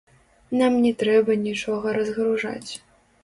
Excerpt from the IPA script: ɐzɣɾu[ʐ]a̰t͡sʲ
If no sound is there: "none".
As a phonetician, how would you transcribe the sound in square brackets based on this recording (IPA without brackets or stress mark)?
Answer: ʐ